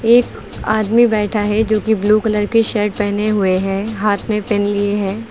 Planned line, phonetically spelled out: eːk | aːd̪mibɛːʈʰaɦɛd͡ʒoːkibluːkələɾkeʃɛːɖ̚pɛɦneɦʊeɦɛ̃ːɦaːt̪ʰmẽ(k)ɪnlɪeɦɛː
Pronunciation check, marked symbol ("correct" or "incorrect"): incorrect